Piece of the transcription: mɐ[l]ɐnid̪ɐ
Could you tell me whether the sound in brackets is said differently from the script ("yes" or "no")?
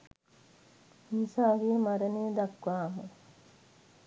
yes